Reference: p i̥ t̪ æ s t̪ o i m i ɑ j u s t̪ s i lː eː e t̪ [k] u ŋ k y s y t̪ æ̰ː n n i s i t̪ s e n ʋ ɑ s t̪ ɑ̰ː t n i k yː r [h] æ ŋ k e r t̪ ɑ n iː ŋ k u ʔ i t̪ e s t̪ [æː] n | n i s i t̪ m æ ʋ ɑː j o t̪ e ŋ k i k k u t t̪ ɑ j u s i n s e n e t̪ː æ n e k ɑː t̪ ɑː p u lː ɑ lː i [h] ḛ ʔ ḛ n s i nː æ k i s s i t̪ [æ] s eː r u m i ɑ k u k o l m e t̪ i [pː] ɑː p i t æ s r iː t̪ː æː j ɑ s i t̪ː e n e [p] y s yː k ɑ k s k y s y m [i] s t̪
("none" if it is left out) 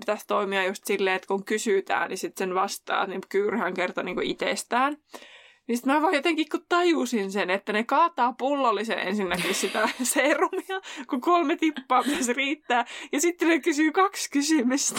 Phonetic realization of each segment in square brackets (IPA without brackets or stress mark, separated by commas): k, h, æː, s, æ, pː, k, y